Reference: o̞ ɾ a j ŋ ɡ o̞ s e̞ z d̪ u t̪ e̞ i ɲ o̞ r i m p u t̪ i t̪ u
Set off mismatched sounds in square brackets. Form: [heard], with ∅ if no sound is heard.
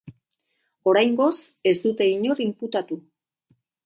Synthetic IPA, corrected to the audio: o̞ ɾ a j ŋ ɡ o̞ s e̞ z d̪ u t̪ e̞ i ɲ o̞ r i m p u t̪ [a] t̪ u